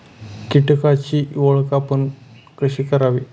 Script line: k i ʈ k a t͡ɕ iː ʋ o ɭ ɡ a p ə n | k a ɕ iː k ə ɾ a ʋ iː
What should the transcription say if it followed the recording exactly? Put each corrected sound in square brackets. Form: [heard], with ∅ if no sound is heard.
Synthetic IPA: k i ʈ k a t͡ɕ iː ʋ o ɭ [k] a p ə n | k [ə] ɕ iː k ə ɾ a ʋ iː